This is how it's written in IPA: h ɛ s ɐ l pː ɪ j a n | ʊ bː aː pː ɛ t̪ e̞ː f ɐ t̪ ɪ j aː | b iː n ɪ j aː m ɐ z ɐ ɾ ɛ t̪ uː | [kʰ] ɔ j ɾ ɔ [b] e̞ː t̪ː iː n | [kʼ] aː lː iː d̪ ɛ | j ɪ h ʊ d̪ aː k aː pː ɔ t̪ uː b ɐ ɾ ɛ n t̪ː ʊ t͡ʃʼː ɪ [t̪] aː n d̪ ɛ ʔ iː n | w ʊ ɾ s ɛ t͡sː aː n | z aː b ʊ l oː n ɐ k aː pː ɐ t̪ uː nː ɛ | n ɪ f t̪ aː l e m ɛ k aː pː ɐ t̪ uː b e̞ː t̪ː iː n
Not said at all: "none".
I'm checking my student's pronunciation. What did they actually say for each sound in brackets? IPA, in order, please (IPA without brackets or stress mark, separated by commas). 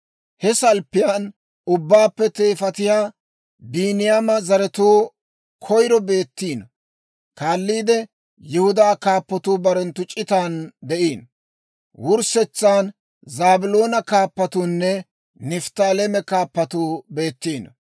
kʰ, b, k, t̪